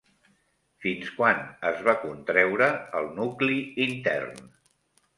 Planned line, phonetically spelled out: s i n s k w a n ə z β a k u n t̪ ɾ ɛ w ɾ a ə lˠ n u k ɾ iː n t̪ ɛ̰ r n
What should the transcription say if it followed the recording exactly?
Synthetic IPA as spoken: f i n s k w a n ə z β a k u n t̪ ɾ ɛ w ɾ ə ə lˠ n u k l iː n t̪ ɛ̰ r n